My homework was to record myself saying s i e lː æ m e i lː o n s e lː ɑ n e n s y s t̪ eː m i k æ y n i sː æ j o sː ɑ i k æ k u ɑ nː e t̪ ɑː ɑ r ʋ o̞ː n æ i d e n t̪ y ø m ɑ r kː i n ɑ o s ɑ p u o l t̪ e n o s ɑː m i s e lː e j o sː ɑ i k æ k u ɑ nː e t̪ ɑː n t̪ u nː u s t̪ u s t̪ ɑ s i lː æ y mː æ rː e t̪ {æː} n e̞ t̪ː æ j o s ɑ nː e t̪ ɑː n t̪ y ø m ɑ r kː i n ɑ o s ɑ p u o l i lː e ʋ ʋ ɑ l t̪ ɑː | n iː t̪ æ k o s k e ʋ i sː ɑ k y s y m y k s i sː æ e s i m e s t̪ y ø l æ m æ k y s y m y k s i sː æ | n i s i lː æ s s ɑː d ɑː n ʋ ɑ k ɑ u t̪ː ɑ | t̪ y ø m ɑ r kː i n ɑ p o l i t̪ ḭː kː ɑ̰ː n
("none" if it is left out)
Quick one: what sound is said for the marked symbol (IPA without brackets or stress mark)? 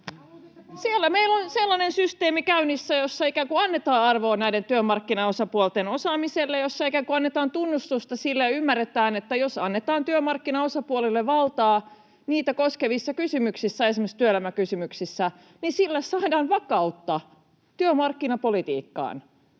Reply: æː